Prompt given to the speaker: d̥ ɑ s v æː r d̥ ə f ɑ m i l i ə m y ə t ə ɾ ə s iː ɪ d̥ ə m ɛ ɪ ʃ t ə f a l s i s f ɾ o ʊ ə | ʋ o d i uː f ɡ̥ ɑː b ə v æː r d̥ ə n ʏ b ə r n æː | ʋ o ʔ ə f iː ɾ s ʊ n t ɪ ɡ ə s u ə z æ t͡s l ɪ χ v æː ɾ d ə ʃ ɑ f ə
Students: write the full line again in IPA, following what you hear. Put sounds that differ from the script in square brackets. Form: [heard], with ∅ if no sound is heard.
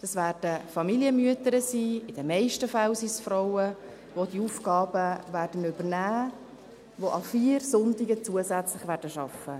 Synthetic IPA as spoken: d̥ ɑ s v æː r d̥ ə f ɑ m i l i ə m y ə t ə ɾ ə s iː ɪ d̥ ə m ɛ ɪ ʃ t ə f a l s i s f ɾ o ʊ ə | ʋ o d i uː f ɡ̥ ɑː b ə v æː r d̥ ə n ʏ b ə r n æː | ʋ o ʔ [ɑ] f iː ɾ s ʊ n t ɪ ɡ ə [t͡s] u ə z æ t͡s l ɪ χ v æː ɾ d ə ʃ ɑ f ə